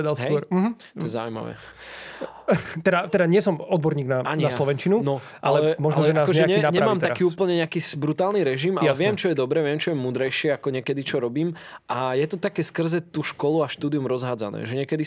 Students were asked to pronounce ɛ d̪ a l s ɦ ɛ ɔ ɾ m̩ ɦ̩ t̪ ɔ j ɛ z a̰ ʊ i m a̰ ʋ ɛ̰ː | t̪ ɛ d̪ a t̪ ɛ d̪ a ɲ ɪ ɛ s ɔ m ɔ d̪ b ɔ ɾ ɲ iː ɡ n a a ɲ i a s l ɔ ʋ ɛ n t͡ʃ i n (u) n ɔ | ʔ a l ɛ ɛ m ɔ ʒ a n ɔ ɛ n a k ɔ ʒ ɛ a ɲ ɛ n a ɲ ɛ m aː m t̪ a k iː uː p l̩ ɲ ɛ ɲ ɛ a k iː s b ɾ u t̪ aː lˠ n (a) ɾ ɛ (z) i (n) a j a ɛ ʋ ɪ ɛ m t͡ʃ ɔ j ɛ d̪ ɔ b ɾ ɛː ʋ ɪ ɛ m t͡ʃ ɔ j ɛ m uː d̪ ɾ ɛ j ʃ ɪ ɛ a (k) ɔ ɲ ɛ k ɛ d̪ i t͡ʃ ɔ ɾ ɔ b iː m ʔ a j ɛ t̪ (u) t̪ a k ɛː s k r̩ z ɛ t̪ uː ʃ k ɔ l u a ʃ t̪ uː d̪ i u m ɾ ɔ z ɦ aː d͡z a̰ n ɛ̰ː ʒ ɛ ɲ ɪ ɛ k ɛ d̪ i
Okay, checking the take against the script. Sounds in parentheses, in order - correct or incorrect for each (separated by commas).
correct, incorrect, incorrect, incorrect, correct, incorrect